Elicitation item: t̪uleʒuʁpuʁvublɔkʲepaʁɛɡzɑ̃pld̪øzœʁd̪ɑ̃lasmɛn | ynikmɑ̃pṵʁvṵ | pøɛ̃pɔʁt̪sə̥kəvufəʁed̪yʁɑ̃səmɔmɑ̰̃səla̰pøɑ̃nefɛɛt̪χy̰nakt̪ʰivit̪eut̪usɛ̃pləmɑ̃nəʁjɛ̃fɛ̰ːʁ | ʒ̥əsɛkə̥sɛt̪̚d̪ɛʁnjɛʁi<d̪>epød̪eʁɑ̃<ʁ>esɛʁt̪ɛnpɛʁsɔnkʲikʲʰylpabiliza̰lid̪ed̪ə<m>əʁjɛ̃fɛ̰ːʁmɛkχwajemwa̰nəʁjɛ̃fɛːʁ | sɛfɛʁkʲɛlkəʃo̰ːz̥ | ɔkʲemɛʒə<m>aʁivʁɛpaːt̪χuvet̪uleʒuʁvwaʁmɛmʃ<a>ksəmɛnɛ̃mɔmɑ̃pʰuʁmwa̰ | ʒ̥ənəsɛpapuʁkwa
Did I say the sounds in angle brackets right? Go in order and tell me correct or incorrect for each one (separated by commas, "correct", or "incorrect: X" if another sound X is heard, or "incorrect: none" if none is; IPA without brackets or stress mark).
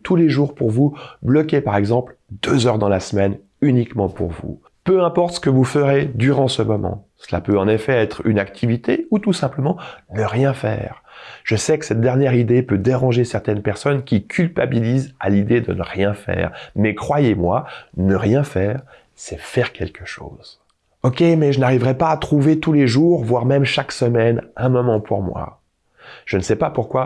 correct, incorrect: ʒ, incorrect: n, incorrect: n, correct